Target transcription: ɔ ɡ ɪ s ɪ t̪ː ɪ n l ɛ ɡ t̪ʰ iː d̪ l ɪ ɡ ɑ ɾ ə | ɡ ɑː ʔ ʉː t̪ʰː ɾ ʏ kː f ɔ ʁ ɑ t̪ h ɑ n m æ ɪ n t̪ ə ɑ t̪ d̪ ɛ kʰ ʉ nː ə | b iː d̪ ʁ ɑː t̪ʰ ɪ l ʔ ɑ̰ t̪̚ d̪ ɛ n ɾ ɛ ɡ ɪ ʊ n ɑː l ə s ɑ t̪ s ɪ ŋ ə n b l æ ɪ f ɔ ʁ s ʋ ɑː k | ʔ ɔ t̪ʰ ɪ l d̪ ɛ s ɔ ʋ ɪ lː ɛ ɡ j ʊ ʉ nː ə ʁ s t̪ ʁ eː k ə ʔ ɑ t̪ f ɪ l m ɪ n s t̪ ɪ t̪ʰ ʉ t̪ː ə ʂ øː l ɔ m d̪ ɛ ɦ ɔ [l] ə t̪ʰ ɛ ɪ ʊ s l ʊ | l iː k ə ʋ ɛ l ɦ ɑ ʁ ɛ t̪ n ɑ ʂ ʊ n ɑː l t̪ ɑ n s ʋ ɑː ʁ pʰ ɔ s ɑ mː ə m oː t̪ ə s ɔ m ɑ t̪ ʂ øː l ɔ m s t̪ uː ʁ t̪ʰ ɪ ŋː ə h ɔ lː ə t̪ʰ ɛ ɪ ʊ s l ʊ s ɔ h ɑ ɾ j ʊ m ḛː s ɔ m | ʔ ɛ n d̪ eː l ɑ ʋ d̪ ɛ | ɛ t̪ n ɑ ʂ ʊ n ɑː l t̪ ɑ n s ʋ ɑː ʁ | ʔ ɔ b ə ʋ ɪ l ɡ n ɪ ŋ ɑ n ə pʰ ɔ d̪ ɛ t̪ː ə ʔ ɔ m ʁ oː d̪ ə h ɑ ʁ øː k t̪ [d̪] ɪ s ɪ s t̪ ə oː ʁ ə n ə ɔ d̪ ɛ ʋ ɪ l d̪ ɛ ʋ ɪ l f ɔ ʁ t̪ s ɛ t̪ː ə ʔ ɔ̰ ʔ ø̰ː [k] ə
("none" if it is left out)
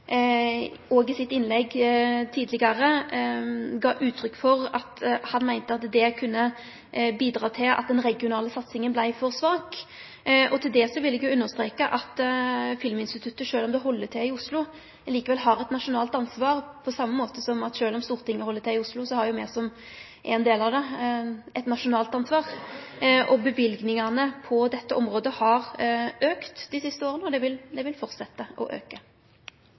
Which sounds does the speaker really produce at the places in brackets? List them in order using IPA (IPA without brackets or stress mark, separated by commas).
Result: lː, d̪, k